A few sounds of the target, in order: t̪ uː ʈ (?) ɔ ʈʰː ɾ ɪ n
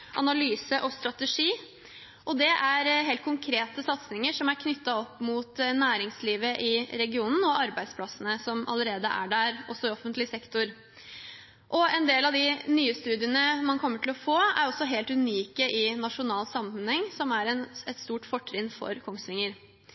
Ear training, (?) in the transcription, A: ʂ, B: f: B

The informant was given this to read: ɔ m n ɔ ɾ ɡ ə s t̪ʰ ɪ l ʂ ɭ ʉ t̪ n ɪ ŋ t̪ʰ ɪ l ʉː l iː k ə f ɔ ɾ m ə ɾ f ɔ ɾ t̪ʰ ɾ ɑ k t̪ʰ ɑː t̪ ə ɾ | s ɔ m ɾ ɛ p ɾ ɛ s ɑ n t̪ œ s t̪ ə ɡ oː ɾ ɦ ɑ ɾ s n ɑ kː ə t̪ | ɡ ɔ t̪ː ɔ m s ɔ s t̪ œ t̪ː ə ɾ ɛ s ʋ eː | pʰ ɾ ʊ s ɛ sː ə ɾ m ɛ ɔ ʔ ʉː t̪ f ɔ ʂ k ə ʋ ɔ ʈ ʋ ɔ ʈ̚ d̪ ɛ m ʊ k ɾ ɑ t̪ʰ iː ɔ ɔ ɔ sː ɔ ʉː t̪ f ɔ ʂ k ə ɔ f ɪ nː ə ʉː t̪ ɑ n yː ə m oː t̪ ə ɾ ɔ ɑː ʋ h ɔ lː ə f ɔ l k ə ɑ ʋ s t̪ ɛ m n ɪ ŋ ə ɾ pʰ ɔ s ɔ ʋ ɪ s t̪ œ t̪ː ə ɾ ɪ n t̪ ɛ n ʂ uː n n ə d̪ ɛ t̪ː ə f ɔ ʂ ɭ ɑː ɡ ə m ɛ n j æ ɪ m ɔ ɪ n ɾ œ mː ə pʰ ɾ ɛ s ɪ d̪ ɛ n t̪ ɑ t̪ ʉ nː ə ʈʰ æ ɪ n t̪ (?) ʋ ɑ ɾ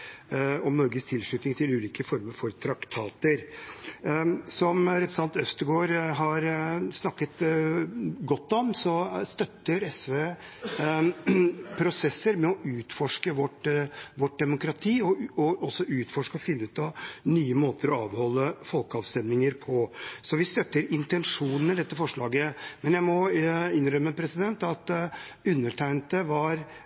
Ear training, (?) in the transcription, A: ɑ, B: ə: B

